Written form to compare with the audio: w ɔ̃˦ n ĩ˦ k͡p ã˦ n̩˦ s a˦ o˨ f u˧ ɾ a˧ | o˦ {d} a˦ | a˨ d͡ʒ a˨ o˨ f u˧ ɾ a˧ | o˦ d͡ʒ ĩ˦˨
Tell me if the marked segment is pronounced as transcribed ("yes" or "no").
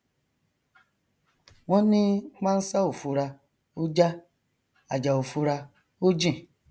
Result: no